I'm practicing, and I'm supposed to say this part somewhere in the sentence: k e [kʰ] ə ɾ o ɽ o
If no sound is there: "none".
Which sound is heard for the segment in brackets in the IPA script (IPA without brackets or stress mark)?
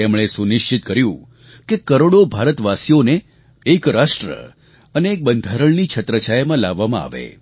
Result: k